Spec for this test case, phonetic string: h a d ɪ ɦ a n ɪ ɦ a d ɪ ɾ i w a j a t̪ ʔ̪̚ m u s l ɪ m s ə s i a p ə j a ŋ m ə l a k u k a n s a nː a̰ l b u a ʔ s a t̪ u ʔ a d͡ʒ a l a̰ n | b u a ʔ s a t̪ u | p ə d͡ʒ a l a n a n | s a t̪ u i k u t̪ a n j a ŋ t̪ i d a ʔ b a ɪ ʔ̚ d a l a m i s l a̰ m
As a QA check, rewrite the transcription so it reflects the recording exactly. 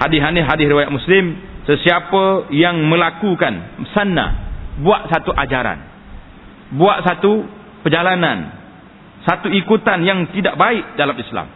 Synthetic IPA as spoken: h a d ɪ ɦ a n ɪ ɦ a d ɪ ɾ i w a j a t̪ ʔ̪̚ m u s l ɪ m s ə s i a p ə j a ŋ m ə l a k u k a n s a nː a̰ b u a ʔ s a t̪ u ʔ a d͡ʒ a ɾ a̰ n | b u a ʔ s a t̪ u | p ə d͡ʒ a l a n a n | s a t̪ u i k u t̪ a n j a ŋ t̪ i d a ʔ b a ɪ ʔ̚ d a l a m i s l a̰ m